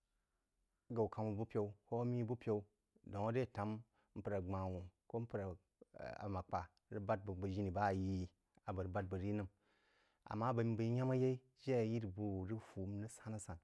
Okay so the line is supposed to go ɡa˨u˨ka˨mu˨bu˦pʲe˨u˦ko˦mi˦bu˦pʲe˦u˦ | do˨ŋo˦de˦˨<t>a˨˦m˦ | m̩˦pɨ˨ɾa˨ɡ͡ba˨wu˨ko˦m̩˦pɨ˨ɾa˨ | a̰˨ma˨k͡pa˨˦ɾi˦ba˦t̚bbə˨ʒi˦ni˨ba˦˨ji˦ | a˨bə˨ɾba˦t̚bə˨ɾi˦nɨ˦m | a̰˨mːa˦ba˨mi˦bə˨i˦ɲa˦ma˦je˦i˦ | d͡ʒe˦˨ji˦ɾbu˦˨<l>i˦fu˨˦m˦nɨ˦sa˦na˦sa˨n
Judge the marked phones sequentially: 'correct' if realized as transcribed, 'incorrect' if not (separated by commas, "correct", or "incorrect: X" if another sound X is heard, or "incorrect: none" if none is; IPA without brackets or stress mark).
correct, incorrect: ɾ